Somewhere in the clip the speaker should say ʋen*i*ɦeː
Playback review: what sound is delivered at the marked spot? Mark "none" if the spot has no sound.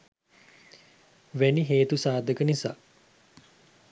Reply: i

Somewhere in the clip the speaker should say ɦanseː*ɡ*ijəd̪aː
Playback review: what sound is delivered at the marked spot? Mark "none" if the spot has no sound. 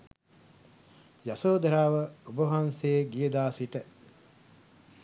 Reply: ɡ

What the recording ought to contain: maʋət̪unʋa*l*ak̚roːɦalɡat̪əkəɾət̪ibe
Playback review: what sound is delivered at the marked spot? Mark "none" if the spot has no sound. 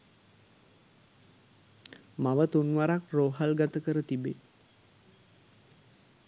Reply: ɾ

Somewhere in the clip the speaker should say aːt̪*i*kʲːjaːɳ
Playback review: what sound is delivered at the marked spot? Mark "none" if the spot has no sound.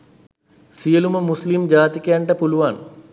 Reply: i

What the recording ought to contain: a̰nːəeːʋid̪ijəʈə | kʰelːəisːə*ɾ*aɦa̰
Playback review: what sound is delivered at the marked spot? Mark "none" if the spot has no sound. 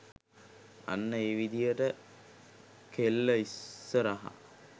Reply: ɾ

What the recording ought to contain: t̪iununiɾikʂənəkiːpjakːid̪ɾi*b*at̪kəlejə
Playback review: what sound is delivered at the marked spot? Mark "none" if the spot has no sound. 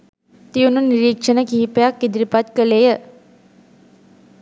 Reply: p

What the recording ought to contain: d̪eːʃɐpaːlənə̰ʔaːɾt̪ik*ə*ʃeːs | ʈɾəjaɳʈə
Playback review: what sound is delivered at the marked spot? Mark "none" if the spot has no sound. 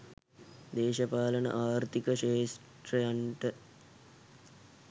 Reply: ə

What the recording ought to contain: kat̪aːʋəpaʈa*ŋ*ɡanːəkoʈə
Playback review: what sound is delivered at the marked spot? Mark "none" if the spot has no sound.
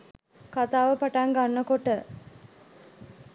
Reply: ŋ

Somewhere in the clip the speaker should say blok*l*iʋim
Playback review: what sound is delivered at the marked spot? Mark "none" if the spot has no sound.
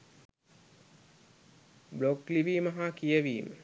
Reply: l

